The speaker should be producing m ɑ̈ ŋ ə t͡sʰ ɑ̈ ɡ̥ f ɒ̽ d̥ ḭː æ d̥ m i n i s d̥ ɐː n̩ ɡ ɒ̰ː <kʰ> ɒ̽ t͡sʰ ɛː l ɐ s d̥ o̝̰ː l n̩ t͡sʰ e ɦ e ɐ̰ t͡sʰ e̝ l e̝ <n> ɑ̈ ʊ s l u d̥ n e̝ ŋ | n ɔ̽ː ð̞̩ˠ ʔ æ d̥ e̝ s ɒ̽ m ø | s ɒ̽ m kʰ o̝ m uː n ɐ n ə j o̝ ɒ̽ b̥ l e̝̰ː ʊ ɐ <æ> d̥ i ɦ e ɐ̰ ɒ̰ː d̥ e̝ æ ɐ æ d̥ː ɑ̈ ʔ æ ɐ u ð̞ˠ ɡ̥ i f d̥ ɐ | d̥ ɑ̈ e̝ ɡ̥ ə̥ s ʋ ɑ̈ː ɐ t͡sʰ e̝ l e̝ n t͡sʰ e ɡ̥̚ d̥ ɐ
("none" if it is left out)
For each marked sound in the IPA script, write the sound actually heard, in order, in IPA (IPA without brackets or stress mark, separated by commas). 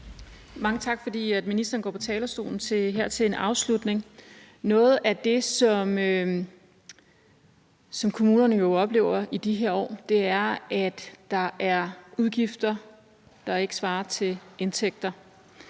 pʰ, n, i